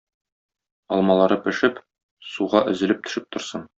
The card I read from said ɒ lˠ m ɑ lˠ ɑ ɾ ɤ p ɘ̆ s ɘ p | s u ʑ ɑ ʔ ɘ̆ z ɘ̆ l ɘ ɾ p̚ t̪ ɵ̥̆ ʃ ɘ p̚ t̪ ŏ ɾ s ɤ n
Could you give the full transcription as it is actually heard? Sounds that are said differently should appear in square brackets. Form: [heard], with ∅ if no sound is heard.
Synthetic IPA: ɒ lˠ m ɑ lˠ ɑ ɾ ɤ p ɘ̆ [ʃ] ɘ p | s u [ʁ] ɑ ʔ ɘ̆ z ɘ̆ l ɘ [∅] p̚ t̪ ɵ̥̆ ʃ ɘ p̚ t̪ ŏ ɾ s ɤ n